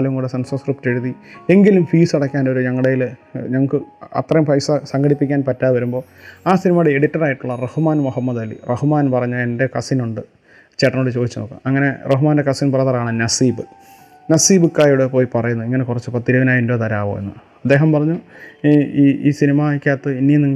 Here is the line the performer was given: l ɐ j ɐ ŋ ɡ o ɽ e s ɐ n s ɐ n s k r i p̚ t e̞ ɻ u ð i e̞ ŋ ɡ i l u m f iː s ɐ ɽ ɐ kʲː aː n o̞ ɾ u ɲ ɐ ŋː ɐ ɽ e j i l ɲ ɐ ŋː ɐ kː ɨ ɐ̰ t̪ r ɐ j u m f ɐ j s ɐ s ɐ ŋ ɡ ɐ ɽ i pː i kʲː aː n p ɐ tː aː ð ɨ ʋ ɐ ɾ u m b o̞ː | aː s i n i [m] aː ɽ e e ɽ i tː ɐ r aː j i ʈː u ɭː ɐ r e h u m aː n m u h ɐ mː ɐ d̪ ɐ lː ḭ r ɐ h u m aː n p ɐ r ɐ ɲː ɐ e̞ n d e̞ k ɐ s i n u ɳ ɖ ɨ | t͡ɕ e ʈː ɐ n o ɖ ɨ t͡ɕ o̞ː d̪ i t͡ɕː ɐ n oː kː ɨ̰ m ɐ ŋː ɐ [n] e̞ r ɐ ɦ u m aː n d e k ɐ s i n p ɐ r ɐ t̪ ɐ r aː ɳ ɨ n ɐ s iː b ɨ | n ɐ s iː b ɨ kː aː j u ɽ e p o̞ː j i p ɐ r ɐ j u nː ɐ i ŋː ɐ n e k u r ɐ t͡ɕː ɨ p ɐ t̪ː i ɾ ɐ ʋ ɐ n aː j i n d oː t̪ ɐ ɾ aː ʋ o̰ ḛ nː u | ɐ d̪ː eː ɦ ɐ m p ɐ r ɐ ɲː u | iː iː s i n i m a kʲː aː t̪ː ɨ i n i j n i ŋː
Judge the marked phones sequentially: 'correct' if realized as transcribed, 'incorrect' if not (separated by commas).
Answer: correct, correct